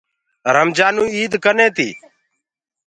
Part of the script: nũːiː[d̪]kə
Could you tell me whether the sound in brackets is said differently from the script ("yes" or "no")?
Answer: no